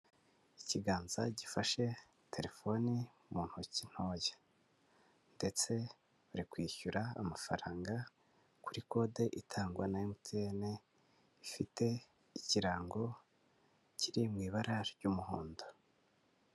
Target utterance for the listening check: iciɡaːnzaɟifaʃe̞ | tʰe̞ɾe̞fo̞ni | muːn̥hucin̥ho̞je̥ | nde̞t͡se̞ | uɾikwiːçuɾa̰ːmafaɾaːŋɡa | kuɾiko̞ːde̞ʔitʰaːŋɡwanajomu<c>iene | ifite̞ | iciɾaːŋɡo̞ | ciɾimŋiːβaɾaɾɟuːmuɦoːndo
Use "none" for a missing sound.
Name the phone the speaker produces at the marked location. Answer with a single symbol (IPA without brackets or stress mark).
t